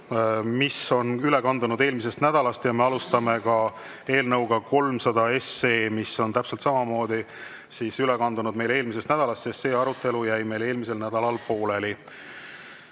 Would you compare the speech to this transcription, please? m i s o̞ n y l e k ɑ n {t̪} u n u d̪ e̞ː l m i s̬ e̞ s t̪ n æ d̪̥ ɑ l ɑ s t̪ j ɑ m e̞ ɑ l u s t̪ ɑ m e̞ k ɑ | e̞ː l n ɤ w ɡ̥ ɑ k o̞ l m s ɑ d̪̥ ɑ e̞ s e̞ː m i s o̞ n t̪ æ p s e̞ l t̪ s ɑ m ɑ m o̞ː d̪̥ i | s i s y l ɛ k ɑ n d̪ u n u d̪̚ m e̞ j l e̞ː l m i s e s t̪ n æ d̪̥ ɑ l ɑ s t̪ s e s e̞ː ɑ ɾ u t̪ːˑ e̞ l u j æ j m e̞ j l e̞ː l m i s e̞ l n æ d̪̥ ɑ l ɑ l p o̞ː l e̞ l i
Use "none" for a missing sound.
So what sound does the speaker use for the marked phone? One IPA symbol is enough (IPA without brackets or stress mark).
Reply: d̪